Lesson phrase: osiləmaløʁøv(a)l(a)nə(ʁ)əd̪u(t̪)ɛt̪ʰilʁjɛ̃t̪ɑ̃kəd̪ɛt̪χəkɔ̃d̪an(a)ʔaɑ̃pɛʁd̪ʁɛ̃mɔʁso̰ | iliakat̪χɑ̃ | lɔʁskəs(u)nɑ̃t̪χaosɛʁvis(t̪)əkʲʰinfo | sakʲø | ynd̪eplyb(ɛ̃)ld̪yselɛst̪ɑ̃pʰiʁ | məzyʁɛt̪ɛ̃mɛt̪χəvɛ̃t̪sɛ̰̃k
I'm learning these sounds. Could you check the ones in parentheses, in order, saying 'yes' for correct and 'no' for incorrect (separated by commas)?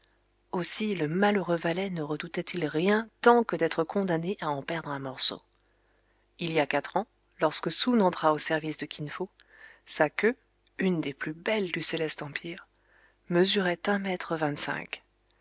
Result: yes, no, yes, yes, no, yes, no, no